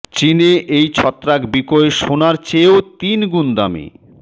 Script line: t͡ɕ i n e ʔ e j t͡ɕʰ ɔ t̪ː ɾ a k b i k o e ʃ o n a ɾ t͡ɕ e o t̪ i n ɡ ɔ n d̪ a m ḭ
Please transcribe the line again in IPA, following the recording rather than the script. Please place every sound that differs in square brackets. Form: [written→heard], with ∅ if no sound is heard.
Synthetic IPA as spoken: t͡ɕ i n e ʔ e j t͡ɕʰ ɔ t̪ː ɾ a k b i k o e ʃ o n a ɾ t͡ɕ e o t̪ i n ɡ [ɔ→u] n d̪ a m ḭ